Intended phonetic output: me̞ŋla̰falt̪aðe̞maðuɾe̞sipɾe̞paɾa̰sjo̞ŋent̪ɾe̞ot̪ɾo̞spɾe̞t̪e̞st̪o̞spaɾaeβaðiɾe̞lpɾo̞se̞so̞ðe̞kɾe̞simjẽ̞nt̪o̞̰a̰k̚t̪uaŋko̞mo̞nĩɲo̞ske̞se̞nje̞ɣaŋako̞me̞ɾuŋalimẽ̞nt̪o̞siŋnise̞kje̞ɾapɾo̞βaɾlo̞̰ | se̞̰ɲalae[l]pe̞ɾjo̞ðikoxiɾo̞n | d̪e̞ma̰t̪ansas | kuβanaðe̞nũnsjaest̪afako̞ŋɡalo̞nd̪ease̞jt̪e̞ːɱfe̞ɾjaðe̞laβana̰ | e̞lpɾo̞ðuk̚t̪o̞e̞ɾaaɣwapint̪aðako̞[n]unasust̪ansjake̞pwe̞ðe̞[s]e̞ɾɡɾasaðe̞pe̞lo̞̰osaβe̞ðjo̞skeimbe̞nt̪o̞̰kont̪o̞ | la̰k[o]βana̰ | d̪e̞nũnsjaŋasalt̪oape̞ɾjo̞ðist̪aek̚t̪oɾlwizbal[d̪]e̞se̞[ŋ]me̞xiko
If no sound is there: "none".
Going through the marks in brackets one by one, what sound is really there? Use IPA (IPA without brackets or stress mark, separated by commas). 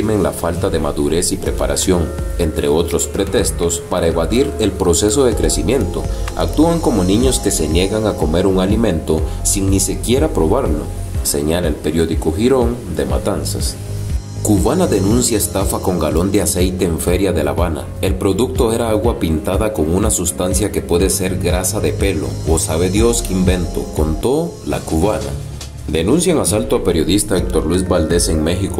l, ŋ, s, u, d̪, ŋ